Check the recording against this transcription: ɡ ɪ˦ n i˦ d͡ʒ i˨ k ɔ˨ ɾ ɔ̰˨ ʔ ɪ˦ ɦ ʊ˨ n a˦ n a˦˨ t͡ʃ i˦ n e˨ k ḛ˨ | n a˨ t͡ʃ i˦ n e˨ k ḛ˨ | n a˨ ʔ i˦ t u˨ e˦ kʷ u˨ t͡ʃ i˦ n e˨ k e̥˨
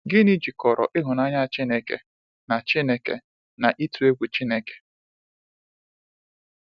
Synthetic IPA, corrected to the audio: ɡ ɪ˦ n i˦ d͡ʒ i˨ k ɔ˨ ɾ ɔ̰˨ ʔ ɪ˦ ɦ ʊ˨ n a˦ ɲ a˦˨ t͡ʃ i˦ n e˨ k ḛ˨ | n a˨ t͡ʃ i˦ n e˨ k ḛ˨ | n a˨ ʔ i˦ t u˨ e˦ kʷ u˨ t͡ʃ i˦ n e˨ k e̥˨